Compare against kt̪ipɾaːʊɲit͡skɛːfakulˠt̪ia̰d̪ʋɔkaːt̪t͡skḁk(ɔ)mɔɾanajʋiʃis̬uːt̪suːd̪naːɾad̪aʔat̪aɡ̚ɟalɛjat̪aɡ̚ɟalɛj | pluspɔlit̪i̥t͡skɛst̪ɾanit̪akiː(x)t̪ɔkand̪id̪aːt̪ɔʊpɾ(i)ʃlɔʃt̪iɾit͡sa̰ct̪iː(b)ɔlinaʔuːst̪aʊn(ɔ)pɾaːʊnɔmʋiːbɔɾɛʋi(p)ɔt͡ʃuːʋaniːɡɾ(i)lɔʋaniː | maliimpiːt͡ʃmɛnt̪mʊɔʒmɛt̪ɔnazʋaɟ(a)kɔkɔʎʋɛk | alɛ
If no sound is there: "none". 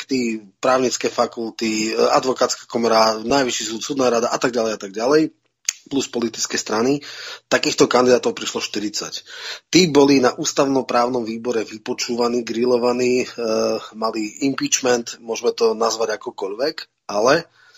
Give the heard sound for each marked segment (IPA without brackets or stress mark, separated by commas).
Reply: ɔ, x, i, b, ɔ, p, i, a